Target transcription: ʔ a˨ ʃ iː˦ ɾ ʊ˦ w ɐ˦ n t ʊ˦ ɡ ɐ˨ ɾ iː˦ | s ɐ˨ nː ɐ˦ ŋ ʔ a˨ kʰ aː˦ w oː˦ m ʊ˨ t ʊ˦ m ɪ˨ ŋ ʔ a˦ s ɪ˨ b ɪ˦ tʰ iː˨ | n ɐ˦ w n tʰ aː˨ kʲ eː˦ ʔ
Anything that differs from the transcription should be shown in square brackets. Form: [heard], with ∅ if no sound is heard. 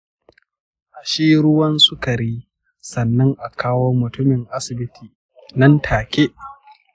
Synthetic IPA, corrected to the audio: ʔ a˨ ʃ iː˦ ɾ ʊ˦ w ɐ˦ n [s] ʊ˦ [k] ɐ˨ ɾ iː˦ | s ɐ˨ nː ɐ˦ ŋ ʔ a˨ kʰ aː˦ w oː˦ m ʊ˨ t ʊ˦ m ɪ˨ ŋ ʔ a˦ s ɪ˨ b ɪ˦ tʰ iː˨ | n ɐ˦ [∅] n tʰ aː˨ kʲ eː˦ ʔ

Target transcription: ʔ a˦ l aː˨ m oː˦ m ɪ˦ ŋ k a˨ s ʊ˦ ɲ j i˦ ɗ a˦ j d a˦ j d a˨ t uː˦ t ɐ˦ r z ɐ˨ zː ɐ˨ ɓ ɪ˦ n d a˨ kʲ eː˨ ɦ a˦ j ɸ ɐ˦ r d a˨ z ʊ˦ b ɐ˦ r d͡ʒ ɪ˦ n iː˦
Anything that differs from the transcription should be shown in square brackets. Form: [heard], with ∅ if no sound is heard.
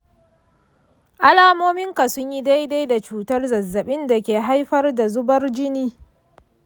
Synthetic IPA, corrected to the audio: ʔ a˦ l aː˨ m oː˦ m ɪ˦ ŋ k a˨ s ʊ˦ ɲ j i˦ [d] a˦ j d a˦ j d a˨ [t͡ʃ] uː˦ t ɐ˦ r z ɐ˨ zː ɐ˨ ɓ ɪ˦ n d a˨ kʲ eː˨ ɦ a˦ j ɸ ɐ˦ r d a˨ z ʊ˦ b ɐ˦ r d͡ʒ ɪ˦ n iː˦

